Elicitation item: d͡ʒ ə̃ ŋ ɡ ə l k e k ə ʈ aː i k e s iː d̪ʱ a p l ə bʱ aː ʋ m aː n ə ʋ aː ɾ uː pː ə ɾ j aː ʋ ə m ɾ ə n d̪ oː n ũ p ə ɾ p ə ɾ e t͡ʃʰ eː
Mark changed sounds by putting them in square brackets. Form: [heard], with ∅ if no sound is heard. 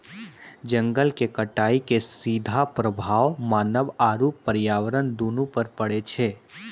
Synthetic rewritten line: d͡ʒ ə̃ ŋ ɡ ə l k e k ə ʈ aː i k e s iː d̪ʱ a p [ɾ] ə bʱ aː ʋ m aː n ə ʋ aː ɾ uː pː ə ɾ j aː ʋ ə [∅] ɾ ə n d̪ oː n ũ p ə ɾ p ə [ɽ] e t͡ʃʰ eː